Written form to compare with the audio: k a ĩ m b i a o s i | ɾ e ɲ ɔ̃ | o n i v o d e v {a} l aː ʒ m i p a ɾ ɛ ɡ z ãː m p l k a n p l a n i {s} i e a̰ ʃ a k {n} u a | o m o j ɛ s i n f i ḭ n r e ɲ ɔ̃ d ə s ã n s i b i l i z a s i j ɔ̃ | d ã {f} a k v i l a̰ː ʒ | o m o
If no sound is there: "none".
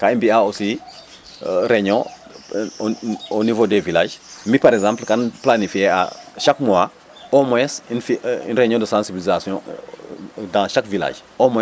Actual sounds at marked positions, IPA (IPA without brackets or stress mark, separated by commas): i, f, m, ʃ